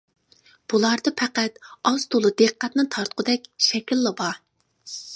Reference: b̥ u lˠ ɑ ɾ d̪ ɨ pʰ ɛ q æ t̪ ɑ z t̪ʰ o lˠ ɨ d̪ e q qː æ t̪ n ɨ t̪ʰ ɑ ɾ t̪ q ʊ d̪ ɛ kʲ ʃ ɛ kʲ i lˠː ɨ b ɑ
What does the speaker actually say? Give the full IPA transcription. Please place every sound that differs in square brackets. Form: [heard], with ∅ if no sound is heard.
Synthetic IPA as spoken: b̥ u lˠ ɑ ɾ d̪ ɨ pʰ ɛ q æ t̪ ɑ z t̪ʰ o lˠ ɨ d̪ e q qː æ t̪ n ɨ t̪ʰ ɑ ɾ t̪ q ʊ d̪ ɛ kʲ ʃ ɛ kʲ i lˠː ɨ b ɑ